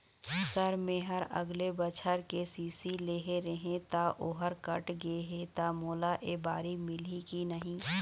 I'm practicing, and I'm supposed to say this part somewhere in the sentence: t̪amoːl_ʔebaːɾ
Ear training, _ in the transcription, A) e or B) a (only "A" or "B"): B